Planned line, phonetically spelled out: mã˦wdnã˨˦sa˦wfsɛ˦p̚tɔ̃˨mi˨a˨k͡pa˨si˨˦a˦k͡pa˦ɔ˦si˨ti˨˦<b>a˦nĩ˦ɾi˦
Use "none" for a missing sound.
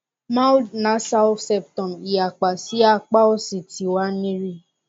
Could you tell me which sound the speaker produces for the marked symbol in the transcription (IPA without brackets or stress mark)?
w